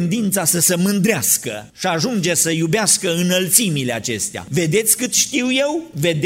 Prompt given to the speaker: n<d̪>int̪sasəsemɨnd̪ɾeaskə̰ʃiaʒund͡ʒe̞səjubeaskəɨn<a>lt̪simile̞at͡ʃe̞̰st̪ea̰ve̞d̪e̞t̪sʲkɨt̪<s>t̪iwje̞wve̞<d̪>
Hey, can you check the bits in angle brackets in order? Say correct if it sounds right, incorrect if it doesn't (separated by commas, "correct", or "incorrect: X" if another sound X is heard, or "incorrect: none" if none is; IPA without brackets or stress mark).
correct, incorrect: ə, incorrect: ʃ, correct